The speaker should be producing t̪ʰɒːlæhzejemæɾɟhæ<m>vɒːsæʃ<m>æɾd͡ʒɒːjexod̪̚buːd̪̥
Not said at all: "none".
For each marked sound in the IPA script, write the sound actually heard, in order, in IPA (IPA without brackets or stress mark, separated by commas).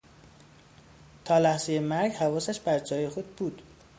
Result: none, b